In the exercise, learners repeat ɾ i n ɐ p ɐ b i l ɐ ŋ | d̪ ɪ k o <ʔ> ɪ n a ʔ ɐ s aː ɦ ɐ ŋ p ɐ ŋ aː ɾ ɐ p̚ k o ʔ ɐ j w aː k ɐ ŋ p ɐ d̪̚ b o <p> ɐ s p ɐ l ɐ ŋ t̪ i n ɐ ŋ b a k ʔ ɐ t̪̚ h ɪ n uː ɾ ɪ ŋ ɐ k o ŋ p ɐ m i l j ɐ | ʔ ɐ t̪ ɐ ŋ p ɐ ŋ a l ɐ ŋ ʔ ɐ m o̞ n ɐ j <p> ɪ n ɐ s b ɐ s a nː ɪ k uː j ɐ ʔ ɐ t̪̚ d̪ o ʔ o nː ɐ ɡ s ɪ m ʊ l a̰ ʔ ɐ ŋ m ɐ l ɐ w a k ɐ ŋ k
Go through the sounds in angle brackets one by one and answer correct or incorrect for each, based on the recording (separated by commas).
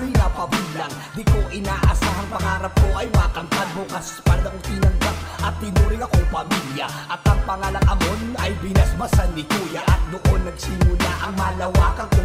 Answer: correct, incorrect, incorrect